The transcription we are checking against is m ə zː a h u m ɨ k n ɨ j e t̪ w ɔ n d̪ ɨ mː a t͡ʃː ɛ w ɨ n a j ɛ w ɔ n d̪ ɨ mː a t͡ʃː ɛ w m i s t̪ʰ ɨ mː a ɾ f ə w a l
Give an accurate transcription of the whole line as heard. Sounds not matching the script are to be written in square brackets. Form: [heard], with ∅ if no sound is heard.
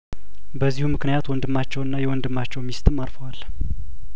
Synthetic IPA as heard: [b] ə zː [i] h u m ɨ k n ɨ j [a] t̪ w ɔ n d̪ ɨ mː a t͡ʃː ɛ w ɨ [nː] a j ɛ w ɔ n d̪ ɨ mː a t͡ʃː ɛ w m i s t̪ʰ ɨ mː a ɾ f ə w a l